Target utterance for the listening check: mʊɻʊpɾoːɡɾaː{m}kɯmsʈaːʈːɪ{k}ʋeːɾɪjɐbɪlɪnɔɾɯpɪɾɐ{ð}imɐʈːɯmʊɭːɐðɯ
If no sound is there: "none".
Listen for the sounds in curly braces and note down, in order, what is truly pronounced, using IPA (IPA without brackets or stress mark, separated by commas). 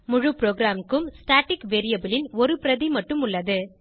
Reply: m, k, ð